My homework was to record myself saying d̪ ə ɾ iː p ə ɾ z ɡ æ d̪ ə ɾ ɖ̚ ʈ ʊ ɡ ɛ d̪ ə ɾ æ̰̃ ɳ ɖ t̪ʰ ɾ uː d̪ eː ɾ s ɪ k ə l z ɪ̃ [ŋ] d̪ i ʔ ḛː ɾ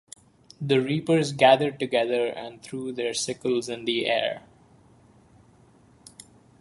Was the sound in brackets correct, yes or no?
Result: no